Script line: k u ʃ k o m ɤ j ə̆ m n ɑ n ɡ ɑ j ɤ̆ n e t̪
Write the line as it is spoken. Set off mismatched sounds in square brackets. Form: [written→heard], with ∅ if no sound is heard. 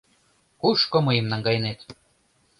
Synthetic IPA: k u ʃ k o m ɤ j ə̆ m n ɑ [n→ŋ] ɡ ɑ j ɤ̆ n e t̪